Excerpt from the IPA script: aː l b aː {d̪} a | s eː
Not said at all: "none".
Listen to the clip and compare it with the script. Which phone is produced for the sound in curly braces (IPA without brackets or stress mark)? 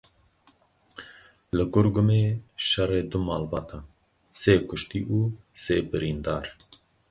t̪